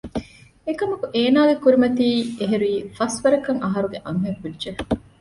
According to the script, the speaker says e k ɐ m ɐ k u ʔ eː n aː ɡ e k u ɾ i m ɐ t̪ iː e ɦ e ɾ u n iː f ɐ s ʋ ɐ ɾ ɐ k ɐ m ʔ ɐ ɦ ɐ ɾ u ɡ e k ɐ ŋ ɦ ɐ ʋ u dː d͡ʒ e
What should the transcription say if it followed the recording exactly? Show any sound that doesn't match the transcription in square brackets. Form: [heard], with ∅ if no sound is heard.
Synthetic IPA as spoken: e k ɐ m ɐ k u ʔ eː n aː ɡ e k u ɾ i m ɐ t̪ iː e ɦ e ɾ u [∅] iː f ɐ s ʋ ɐ ɾ ɐ k ɐ [ŋ] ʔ ɐ ɦ ɐ ɾ u ɡ e [ʔ] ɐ ŋ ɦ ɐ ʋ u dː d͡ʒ e